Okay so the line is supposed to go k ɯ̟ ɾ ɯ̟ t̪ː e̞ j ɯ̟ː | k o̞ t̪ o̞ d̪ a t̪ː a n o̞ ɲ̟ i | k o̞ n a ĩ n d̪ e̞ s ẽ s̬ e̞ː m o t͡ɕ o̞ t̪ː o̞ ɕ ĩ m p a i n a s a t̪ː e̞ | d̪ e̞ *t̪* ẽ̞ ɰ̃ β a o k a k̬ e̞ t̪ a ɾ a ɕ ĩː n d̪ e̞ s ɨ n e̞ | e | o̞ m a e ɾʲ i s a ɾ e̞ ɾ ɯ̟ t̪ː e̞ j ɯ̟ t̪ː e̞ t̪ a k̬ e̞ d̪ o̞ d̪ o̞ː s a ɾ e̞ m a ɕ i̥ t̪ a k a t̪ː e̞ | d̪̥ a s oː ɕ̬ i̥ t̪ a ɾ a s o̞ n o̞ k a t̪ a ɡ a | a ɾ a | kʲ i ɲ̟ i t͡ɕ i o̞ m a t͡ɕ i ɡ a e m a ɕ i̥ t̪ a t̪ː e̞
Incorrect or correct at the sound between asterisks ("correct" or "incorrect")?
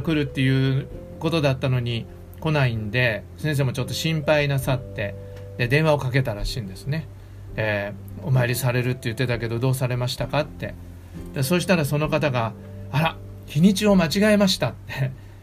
incorrect